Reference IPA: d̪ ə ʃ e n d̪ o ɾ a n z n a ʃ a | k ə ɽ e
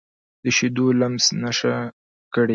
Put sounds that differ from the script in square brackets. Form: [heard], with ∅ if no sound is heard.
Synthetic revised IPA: d̪ ə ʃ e [∅] d̪ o [l] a [m] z n a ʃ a | k ə ɽ e